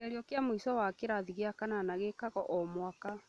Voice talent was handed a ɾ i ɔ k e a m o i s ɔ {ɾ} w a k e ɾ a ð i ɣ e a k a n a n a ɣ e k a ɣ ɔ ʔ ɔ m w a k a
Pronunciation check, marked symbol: incorrect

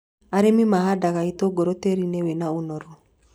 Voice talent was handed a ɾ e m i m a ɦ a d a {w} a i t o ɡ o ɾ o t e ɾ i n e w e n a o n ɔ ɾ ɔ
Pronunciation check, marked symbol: incorrect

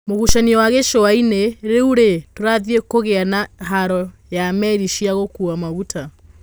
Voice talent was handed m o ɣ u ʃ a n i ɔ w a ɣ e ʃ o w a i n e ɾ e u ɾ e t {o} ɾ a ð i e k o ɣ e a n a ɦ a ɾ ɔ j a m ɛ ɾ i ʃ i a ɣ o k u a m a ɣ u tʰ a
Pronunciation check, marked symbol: correct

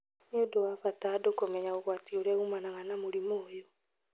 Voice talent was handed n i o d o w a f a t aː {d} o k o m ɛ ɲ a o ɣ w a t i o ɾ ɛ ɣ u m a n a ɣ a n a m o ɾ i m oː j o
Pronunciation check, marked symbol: correct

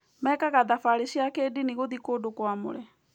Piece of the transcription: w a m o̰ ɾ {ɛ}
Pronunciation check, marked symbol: correct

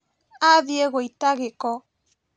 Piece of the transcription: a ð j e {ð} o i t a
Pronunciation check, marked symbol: incorrect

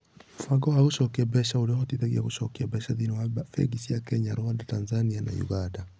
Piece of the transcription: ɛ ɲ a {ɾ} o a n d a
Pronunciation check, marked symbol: correct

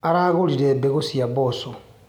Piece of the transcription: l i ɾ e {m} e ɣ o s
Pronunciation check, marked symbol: incorrect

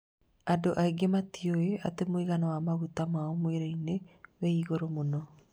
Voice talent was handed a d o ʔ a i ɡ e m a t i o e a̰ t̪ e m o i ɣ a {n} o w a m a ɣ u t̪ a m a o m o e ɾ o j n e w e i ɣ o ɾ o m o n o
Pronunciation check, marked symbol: correct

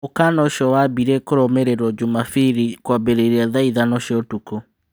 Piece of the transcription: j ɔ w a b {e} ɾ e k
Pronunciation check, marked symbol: incorrect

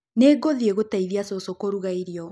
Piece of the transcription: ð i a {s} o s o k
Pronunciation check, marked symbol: correct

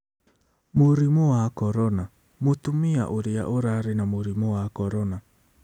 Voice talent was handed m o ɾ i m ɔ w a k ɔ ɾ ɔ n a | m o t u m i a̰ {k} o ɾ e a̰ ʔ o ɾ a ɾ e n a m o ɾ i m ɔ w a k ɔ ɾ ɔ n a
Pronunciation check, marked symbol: incorrect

